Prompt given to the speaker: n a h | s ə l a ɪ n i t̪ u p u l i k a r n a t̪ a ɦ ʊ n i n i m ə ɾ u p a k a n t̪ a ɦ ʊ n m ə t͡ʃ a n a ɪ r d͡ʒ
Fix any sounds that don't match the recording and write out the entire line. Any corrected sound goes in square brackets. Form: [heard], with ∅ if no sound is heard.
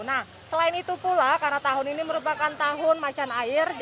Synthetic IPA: n a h | s ə l a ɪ n i t̪ u p u l [a] k a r n a t̪ a ɦ ʊ n i n i m ə ɾ u p a k a n t̪ a ɦ ʊ n m [a] t͡ʃ a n a ɪ r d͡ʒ